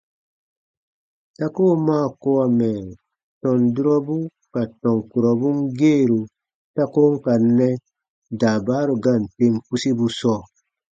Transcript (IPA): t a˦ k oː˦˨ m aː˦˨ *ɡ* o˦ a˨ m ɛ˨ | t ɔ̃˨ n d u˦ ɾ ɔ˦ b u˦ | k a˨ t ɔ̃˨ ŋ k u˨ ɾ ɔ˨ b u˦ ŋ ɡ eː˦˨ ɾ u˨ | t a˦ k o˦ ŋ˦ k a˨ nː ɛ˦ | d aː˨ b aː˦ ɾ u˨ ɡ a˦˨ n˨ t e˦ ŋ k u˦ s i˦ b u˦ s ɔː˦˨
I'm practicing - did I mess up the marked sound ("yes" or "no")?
yes